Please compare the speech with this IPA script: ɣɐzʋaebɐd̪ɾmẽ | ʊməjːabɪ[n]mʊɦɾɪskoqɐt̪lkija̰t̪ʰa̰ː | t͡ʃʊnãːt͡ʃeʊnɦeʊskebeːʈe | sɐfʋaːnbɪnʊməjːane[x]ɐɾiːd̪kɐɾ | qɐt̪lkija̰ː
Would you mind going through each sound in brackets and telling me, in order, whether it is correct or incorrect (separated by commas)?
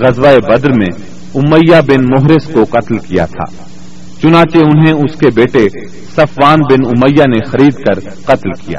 correct, correct